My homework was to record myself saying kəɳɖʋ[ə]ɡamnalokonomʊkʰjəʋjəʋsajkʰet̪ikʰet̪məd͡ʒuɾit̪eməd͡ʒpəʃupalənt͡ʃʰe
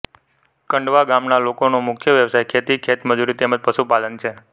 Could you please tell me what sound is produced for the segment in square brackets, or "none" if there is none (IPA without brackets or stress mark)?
a